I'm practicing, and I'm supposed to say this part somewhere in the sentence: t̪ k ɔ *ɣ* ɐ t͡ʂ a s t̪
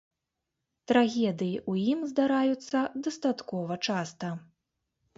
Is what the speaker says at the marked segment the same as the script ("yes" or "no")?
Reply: no